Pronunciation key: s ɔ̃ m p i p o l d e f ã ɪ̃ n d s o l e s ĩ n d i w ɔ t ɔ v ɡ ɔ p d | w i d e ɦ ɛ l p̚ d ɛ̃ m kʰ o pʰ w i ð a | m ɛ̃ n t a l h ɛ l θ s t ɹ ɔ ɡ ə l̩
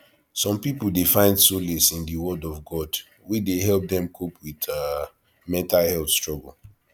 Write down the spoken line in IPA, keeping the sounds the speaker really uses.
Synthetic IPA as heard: s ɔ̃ m p i p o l d e f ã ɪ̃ n d s o l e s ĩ n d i w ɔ d ɔ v ɡ ɔ d | w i d e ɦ ɛ l p̚ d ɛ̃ m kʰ o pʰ w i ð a | m ɛ̃ n t a l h ɛ l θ s t ɹ ɔ ɡ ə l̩